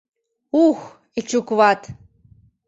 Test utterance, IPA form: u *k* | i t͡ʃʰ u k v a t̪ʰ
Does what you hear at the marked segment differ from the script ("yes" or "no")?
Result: yes